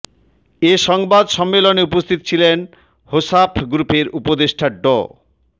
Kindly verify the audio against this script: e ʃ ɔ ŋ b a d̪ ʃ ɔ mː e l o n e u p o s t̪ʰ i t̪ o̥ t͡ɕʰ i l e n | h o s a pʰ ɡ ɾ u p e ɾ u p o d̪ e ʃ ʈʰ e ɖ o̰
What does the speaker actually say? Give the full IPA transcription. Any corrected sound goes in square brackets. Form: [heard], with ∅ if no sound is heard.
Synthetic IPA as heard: e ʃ ɔ ŋ b a d̪ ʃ ɔ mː e l o n e u p o s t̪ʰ i t̪ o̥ t͡ɕʰ i l e n | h o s a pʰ ɡ ɾ u p e ɾ u p o d̪ e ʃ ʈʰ [a] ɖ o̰